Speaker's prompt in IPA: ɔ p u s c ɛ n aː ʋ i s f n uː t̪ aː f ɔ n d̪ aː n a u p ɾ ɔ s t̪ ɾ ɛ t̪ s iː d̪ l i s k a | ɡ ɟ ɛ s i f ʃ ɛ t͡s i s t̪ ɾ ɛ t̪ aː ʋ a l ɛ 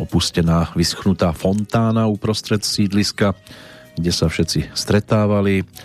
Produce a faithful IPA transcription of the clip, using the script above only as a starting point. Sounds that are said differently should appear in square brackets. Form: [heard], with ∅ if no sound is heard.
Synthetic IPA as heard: ɔ p u s c ɛ n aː ʋ i s [x] n [u] t̪ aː f ɔ n [t̪] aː n a u p ɾ ɔ s t̪ ɾ ɛ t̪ s iː d̪ l i s k a | ɡ ɟ ɛ s [a] f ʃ ɛ t͡s i s t̪ ɾ ɛ t̪ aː ʋ a l [i]